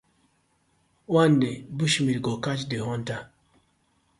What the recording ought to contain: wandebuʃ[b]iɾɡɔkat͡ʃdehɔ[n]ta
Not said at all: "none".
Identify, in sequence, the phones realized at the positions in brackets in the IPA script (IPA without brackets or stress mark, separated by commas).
m, n